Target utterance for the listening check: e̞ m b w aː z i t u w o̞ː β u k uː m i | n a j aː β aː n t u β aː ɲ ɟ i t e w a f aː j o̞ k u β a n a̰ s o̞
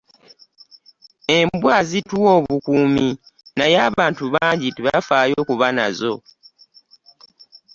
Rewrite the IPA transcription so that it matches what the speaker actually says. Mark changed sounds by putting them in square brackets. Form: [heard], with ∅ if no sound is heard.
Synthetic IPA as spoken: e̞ m b w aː z i t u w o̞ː β u k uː m i | n a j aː β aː n t u β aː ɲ ɟ i t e [β] a f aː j o̞ k u β a n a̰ [z] o̞

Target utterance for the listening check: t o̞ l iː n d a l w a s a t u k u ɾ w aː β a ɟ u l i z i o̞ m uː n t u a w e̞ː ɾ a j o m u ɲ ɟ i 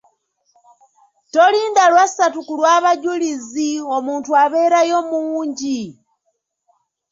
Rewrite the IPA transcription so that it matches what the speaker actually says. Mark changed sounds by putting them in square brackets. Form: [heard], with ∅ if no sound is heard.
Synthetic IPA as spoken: t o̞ l iː n d a l w a s a t u k u [l] w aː β a ɟ u l i z i o̞ m uː n t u a [β] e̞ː ɾ a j o m [uː] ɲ ɟ i

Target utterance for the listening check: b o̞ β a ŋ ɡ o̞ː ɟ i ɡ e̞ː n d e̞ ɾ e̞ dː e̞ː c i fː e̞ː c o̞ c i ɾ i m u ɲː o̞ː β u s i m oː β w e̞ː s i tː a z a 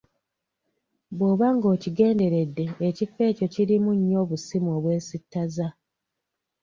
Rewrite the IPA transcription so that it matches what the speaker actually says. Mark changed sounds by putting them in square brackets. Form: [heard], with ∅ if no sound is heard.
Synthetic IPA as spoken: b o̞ β a ŋ ɡ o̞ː [c] i ɡ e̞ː n d e̞ ɾ e̞ dː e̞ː c i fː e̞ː c o̞ c i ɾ i m u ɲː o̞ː β u s i m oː β w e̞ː s i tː a z a

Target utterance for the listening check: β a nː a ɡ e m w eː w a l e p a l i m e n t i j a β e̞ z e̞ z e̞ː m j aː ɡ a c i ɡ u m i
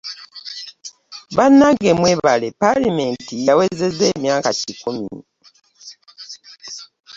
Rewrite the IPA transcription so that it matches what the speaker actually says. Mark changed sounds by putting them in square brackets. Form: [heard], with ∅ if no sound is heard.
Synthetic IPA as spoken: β a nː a ɡ e m w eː [β] a l e p a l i m e n t i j a [w] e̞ z e̞ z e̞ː m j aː [k] a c i [k] u m i

